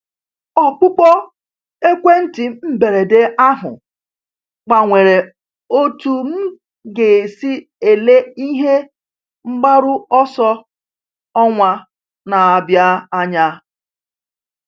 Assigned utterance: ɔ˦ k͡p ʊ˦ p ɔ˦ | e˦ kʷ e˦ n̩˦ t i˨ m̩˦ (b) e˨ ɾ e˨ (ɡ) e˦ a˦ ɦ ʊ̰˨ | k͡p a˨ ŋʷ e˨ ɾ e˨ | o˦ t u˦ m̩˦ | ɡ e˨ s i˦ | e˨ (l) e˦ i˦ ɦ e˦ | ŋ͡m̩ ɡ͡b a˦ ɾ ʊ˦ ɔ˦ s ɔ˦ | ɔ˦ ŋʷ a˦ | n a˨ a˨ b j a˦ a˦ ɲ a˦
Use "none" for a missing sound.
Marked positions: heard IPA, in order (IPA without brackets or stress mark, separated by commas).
b, d, l